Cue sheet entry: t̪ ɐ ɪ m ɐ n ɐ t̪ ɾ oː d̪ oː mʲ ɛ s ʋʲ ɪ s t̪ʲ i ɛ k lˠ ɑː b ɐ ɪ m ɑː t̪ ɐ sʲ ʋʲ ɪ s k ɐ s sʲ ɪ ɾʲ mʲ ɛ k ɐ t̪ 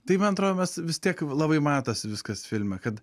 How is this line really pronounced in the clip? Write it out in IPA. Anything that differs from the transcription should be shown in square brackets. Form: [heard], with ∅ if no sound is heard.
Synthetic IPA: t̪ ɐ ɪ m ɐ n ɐ t̪ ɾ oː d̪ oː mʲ ɛ s ʋʲ ɪ s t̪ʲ i ɛ k lˠ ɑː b ɐ ɪ m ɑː t̪ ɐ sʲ ʋʲ ɪ s k ɐ s [fʲ] ɪ [lʲ] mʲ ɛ k ɐ t̪